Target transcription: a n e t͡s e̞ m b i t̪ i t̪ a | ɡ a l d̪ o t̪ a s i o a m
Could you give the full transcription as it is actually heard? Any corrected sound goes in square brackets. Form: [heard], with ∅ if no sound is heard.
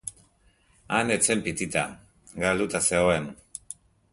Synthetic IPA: a n e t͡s e̞ m [p] i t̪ i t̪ a | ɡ a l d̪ [u] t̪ a s [e] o [e] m